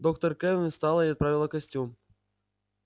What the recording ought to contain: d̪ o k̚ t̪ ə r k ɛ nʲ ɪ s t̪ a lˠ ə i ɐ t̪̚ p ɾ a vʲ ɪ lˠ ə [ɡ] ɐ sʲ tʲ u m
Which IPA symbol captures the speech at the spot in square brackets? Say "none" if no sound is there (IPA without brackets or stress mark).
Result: k